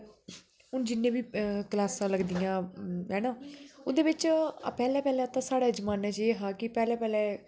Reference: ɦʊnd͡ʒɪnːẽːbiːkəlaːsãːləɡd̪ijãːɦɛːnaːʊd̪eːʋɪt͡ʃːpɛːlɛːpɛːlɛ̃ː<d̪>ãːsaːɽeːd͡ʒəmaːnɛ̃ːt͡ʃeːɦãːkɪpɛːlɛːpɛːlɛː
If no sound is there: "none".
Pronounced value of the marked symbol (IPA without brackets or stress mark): t̪